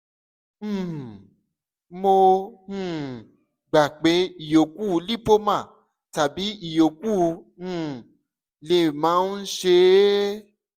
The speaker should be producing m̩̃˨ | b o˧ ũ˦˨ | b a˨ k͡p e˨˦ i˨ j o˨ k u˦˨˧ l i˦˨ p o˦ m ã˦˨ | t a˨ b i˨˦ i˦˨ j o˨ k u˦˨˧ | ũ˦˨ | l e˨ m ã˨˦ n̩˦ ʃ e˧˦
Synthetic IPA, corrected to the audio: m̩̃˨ | m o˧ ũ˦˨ | ɡ͡b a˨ k͡p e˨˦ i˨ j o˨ k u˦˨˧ l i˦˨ p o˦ m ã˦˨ | t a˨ b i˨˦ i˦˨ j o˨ k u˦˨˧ | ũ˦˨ | l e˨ m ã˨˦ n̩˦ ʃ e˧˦

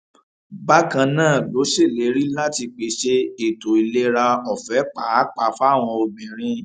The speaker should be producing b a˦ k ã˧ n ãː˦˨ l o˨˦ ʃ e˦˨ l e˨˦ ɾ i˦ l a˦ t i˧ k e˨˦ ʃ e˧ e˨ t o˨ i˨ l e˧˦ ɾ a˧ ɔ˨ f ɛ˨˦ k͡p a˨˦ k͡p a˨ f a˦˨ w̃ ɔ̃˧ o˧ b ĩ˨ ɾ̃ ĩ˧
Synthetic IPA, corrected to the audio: b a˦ k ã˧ n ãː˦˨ l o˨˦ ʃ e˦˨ l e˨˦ ɾ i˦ l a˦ t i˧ k͡p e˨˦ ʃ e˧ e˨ t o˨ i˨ l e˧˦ ɾ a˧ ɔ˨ f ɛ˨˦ k͡p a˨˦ k͡p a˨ f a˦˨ w̃ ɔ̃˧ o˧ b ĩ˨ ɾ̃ ĩ˧

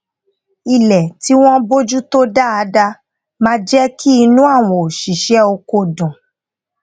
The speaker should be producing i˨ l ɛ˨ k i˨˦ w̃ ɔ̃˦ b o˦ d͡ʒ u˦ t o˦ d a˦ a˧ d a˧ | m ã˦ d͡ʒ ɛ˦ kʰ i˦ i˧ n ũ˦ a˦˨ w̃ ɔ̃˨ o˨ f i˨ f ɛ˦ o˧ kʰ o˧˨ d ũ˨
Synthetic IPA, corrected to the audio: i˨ l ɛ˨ t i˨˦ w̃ ɔ̃˦ b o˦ d͡ʒ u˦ t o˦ d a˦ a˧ d a˧ | m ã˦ d͡ʒ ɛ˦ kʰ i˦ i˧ n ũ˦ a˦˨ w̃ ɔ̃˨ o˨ ʃ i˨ ʃ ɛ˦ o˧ k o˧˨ d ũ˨

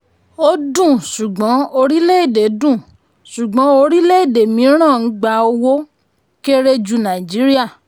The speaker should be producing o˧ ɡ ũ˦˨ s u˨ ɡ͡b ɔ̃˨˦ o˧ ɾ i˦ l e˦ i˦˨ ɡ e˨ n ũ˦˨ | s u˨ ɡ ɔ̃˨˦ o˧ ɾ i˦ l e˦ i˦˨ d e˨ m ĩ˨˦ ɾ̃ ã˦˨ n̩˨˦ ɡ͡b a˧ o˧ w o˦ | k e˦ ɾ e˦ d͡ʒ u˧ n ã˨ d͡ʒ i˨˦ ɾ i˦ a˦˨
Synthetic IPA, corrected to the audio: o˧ d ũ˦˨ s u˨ ɡ͡b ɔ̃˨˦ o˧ ɾ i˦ l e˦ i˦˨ d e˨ d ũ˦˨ | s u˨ ɡ͡b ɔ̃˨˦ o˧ ɾ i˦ l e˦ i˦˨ d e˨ m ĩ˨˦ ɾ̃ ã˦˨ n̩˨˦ ɡ͡b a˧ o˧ w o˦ | k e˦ ɾ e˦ d͡ʒ u˧ n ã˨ d͡ʒ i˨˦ ɾ i˦ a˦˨

